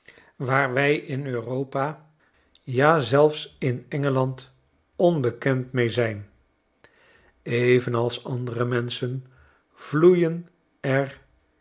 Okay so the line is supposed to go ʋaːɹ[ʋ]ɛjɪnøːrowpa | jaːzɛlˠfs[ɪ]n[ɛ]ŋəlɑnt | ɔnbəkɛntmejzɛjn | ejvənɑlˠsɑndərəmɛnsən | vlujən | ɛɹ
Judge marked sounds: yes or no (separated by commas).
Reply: yes, yes, yes